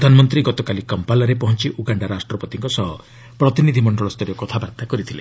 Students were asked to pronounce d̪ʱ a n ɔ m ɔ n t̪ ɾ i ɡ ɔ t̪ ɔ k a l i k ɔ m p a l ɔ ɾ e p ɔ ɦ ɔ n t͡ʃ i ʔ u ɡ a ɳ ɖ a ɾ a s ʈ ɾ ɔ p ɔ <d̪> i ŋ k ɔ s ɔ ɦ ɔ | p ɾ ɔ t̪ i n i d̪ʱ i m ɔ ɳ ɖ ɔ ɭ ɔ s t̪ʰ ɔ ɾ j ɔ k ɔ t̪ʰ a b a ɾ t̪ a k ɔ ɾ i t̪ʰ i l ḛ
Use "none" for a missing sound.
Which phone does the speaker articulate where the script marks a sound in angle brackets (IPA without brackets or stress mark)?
t̪